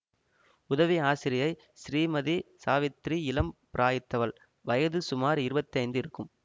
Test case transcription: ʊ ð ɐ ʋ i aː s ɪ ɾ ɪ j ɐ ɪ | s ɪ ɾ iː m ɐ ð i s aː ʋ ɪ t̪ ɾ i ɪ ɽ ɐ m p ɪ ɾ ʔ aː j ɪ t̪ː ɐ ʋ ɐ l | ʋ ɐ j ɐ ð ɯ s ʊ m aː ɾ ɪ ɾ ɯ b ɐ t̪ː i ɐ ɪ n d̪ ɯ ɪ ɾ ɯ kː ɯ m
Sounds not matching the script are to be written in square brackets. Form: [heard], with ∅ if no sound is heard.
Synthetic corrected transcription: ʊ ð ɐ ʋ i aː s ɪ ɾ ɪ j ɐ ɪ | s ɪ ɾ iː m ɐ ð i s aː ʋ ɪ t̪ ɾ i ɪ [l] ɐ m p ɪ ɾ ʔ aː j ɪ t̪ː ɐ ʋ ɐ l | ʋ ɐ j ɐ ð ɯ s ʊ m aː ɾ ɪ ɾ ɯ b ɐ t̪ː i ɐ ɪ n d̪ ɯ ɪ ɾ ɯ kː ɯ m